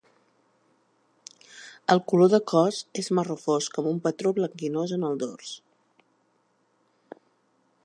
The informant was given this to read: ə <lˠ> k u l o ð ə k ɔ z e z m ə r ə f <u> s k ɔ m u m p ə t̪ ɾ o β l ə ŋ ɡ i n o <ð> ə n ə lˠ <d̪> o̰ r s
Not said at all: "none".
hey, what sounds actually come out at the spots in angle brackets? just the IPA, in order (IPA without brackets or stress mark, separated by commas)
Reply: lˠ, o, z, d̪